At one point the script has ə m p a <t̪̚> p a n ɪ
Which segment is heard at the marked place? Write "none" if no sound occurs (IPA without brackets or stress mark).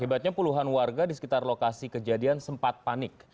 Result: t̪̚